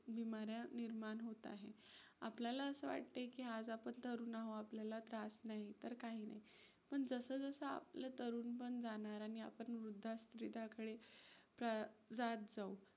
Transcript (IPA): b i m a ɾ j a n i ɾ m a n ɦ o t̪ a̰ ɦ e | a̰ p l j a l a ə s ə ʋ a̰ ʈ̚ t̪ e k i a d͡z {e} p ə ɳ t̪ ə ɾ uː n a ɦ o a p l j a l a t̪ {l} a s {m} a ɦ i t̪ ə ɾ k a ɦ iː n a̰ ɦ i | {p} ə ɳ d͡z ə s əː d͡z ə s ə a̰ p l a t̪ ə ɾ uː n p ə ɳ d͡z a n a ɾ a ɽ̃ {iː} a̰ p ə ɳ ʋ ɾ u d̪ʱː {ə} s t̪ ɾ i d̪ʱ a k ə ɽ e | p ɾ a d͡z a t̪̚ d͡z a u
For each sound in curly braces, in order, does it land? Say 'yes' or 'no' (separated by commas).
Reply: no, no, no, yes, no, no